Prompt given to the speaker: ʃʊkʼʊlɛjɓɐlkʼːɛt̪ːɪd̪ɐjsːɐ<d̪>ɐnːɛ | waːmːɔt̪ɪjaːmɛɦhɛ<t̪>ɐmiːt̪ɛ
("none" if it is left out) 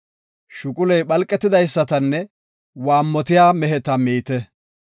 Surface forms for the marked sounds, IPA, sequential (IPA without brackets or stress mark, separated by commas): t̪, t̪